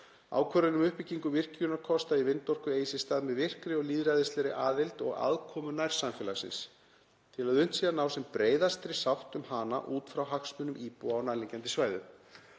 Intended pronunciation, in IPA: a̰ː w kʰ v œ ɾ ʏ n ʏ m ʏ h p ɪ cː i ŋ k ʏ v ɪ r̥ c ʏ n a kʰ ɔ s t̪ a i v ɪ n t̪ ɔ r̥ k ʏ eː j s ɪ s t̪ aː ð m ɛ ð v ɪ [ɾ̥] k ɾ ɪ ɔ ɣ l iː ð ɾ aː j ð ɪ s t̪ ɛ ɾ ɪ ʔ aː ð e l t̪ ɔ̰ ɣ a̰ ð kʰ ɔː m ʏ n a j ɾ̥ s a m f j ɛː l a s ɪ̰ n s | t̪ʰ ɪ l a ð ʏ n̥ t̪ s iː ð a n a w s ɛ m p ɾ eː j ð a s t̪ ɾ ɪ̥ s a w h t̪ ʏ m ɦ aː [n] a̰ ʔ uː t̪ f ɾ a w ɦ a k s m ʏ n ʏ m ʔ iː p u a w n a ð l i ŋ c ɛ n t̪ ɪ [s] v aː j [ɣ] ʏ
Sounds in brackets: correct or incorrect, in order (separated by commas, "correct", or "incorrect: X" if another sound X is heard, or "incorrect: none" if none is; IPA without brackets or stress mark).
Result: incorrect: r̥, correct, correct, incorrect: ð